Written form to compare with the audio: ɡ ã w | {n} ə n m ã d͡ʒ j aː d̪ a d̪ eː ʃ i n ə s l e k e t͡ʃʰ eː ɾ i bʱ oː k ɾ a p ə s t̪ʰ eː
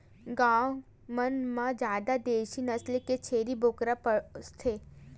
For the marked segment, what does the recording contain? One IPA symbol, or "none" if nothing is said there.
m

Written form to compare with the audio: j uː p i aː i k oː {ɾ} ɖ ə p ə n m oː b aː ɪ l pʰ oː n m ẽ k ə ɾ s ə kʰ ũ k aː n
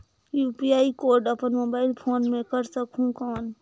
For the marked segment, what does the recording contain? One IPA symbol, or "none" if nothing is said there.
ɾ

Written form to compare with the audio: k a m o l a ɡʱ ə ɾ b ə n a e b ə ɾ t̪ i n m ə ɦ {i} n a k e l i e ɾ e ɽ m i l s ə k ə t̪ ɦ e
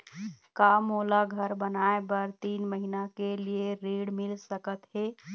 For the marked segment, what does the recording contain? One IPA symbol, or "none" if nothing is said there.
i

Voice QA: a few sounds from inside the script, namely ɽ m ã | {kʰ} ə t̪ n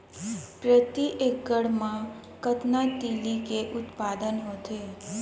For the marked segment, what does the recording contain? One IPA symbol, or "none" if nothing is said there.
k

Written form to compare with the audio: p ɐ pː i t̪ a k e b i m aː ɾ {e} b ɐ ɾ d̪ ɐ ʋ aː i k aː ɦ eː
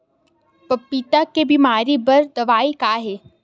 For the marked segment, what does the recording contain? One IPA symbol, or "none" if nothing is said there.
i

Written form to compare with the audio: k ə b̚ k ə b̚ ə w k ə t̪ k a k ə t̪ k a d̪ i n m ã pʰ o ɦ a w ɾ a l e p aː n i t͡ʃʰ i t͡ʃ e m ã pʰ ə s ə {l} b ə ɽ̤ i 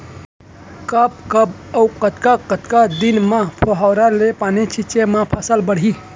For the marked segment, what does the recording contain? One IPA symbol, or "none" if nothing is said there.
l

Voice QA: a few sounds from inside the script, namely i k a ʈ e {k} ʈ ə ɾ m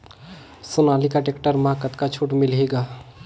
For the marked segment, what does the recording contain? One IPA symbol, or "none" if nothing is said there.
k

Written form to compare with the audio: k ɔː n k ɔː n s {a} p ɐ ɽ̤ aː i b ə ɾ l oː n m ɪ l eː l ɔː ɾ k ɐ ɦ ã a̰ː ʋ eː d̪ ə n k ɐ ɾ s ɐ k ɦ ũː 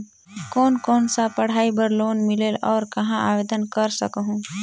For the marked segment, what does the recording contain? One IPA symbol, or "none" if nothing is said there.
a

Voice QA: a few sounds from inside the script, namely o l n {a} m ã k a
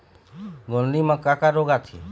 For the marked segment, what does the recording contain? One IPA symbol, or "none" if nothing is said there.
i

